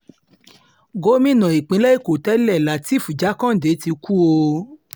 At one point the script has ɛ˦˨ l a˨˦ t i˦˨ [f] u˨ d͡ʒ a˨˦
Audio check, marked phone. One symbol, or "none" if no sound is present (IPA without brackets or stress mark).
f